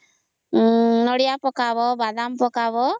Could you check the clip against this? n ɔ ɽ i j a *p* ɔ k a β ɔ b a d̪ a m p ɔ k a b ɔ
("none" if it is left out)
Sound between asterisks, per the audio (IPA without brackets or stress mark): p